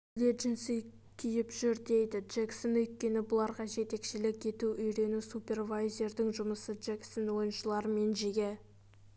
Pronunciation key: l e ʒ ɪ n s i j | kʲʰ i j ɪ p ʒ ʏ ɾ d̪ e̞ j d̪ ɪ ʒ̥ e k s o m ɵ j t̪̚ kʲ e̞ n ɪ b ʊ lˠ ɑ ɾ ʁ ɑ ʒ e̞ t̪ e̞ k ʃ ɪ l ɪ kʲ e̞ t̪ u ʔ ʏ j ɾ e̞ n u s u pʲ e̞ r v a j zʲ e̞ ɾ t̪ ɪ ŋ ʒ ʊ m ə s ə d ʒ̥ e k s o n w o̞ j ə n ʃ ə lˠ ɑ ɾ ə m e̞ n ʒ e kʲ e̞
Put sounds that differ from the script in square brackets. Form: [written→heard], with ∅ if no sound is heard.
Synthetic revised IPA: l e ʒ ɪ n s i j | kʲʰ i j ɪ p ʒ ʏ ɾ d̪ e̞ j d̪ ɪ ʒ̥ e k s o [m→n] ɵ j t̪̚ kʲ e̞ n ɪ b ʊ lˠ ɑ ɾ ʁ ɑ ʒ e̞ t̪ e̞ k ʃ ɪ l ɪ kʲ e̞ t̪ u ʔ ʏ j ɾ e̞ n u s u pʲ e̞ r v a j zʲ e̞ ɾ [t̪→d̪] ɪ ŋ ʒ ʊ m ə s ə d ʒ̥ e k s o n w o̞ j ə n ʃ ə lˠ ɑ ɾ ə m e̞ n ʒ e [kʲ→ɡʲ] e̞